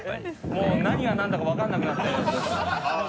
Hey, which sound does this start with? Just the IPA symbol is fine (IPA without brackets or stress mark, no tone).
m